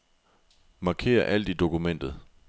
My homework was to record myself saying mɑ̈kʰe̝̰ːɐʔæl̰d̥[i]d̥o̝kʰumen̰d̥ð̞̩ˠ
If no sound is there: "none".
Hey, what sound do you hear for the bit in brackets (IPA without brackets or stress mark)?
i